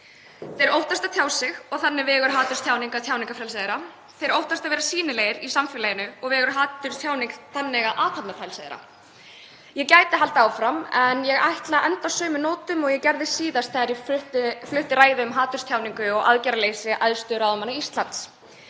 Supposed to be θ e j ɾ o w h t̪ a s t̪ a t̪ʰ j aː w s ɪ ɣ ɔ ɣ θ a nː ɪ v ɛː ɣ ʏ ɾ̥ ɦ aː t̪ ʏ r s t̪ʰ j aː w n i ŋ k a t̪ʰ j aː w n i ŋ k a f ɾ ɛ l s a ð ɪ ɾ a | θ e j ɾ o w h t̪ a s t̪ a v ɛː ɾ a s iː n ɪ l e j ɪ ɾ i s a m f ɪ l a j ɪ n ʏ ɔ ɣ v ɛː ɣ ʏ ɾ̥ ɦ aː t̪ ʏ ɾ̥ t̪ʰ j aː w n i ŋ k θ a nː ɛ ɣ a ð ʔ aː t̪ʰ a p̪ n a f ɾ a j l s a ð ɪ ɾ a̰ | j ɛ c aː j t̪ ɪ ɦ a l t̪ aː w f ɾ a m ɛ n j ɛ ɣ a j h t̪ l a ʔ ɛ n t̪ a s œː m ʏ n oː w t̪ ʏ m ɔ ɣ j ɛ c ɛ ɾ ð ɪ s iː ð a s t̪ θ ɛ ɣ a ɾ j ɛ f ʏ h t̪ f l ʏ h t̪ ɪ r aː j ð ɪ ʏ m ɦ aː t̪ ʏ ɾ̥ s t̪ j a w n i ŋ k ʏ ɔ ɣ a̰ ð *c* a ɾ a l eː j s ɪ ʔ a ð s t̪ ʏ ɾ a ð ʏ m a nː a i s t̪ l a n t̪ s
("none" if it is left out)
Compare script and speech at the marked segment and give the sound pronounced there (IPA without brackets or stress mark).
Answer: c